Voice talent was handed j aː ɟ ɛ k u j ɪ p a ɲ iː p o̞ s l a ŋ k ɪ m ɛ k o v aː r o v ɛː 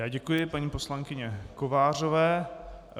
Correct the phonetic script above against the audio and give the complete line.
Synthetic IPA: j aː ɟ ɛ k u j ɪ p a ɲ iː p o̞ s l a ŋ k ɪ ɲ ɛ k o v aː r o v ɛː